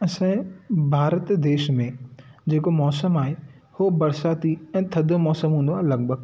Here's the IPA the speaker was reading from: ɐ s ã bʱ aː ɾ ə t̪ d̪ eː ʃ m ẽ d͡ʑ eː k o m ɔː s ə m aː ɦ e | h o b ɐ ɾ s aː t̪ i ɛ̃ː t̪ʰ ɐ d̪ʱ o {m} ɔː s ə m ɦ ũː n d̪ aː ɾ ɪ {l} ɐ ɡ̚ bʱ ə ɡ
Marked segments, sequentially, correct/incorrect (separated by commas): correct, correct